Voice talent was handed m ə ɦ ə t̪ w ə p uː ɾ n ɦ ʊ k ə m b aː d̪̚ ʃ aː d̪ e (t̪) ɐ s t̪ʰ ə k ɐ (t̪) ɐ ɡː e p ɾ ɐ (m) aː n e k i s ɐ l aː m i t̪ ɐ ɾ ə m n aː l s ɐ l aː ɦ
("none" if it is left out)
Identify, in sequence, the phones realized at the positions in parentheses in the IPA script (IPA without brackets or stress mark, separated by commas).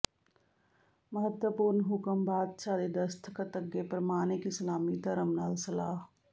d̪, t̪, m